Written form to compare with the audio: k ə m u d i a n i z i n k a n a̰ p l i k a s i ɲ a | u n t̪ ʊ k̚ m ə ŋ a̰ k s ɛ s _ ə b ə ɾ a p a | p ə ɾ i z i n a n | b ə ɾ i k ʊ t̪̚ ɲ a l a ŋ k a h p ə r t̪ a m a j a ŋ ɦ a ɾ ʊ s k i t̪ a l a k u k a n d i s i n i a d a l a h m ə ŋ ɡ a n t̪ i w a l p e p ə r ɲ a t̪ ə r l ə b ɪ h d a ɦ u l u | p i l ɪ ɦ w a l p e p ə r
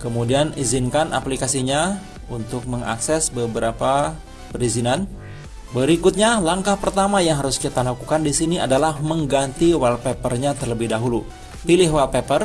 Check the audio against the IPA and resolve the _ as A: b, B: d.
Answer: A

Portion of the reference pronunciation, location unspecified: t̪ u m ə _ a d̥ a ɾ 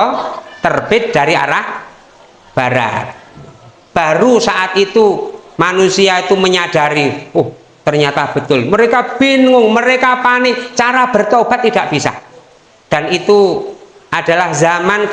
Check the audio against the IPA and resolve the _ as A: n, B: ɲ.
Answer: B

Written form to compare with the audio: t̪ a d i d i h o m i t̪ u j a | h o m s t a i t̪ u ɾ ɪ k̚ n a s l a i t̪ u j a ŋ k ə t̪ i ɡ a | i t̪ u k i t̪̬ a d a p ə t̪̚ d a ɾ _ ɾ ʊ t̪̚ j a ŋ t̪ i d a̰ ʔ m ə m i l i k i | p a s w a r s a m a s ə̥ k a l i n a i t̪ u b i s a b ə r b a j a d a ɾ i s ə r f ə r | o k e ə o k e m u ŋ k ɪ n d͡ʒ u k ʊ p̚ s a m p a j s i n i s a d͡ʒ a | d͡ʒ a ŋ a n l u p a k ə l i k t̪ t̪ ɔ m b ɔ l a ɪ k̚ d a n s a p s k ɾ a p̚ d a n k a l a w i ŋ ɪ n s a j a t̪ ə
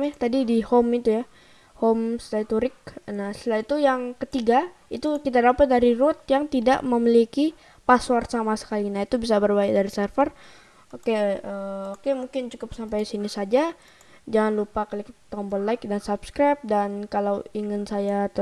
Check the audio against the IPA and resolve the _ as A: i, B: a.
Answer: A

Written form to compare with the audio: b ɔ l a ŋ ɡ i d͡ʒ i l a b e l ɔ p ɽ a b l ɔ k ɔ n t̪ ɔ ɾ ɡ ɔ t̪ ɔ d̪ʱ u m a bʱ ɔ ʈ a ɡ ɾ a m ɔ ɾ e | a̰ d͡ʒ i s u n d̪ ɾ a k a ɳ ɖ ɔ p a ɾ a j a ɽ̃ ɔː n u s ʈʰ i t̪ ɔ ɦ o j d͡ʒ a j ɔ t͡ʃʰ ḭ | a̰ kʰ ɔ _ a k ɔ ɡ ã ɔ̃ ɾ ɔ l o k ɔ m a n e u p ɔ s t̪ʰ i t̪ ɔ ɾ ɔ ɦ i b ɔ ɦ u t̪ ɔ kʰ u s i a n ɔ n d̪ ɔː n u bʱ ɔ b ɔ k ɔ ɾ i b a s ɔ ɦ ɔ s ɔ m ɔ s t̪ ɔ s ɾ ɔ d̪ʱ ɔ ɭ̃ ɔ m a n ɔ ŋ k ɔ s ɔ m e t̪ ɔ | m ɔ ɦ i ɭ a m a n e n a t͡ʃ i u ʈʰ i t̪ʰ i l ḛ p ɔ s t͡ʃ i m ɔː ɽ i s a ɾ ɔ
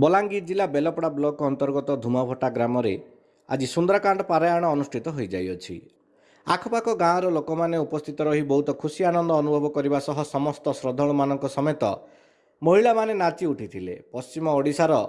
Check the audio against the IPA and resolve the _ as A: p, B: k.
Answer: A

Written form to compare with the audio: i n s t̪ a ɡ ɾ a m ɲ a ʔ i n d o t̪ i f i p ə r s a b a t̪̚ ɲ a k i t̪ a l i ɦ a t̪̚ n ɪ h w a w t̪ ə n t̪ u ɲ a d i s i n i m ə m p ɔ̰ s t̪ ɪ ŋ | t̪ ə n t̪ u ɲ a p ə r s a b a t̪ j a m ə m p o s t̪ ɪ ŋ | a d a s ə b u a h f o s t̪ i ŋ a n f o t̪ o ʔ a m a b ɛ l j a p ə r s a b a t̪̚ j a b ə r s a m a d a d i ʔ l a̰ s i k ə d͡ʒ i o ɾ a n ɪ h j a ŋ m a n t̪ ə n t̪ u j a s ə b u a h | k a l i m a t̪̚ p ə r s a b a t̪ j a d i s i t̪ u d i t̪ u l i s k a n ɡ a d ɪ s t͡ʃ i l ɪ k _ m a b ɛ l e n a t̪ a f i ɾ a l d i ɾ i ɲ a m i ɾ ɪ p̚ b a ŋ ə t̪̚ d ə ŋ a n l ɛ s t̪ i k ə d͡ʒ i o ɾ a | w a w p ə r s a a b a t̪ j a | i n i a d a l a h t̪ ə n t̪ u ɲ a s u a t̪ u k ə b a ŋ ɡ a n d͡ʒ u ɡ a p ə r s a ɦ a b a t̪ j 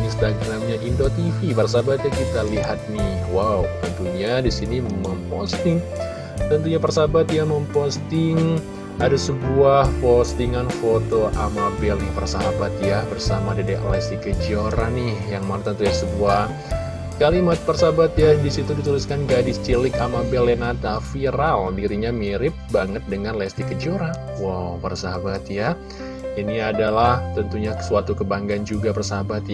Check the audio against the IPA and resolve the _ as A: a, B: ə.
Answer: A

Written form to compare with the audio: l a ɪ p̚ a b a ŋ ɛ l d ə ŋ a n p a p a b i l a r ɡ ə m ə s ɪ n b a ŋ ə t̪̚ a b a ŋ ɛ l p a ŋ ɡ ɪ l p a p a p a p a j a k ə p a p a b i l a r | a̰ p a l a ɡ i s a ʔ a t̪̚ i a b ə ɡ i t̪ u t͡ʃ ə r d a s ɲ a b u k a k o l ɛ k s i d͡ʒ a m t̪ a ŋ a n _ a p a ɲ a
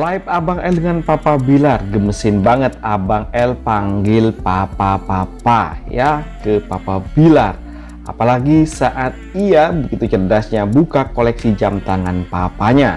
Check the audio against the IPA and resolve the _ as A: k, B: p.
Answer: B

